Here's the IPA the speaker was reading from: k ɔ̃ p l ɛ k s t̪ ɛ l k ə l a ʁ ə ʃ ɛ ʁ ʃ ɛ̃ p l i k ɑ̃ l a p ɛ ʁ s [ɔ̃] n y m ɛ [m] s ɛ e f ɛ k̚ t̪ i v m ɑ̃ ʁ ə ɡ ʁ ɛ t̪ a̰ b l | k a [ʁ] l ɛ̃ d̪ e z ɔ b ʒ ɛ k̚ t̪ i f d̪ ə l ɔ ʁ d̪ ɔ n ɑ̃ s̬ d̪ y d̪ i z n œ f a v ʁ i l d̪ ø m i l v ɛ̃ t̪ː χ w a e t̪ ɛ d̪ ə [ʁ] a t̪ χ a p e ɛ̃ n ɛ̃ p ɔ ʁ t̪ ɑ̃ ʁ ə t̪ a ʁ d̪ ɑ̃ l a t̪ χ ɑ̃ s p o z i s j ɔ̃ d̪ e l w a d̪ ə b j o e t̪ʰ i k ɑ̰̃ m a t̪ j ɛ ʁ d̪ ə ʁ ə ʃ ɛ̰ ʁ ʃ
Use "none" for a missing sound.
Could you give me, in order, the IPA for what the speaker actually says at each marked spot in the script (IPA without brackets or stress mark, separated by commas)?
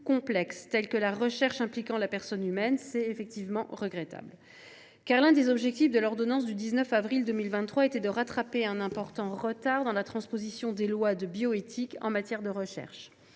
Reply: ɔ, n, ʁ, ʁ